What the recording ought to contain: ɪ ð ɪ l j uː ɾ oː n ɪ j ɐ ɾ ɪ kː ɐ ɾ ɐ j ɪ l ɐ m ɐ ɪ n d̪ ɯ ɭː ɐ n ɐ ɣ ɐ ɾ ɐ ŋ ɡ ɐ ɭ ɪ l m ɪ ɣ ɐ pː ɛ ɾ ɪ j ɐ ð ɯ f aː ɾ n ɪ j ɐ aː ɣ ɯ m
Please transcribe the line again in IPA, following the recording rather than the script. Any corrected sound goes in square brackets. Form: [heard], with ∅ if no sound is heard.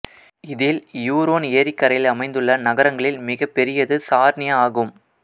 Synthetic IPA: ɪ ð ɪ l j uː ɾ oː n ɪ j ɐ ɾ ɪ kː ɐ ɾ ɐ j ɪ l ɐ m ɐ ɪ n d̪ ɯ ɭː ɐ n ɐ ɣ ɐ ɾ ɐ ŋ ɡ ɐ ɭ ɪ l m ɪ ɣ ɐ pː ɛ ɾ ɪ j ɐ ð ɯ [s] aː ɾ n ɪ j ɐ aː ɣ ɯ m

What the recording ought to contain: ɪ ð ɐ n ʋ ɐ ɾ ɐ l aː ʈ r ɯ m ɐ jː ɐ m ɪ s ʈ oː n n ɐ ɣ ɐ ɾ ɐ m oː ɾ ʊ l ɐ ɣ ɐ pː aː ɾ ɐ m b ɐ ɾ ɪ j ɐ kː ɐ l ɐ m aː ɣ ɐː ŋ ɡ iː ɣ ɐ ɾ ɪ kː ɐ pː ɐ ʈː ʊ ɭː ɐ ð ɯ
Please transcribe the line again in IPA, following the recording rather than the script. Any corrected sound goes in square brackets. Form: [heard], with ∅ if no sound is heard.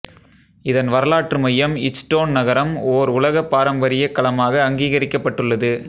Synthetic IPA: ɪ ð ɐ n ʋ ɐ ɾ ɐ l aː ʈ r ɯ m ɐ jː ɐ m ɪ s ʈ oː n n ɐ ɣ ɐ ɾ ɐ m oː ɾ ʊ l ɐ ɣ ɐ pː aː ɾ ɐ m b ɐ ɾ ɪ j ɐ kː ɐ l ɐ m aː ɣ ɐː ŋ ɡ iː ɣ ɐ ɾ ɪ kː ɐ pː ɐ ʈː [ɯ] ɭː ɐ ð ɯ

